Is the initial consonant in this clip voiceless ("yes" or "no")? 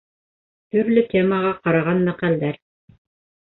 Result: yes